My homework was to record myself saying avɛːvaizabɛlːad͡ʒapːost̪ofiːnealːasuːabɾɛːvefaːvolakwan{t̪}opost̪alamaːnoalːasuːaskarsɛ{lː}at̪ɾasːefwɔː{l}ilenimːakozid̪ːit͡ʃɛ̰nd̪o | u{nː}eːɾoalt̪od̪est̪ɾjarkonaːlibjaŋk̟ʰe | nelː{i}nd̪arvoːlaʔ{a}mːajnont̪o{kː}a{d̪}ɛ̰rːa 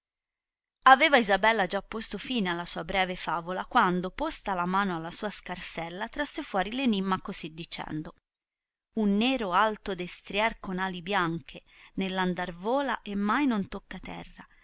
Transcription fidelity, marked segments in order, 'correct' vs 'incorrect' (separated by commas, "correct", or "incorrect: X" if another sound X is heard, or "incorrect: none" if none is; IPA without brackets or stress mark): incorrect: d̪, correct, incorrect: ɾ, correct, incorrect: a, incorrect: e, correct, incorrect: t̪